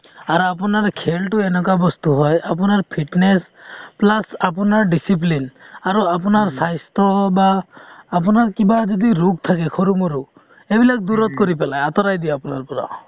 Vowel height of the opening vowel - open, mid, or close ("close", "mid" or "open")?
open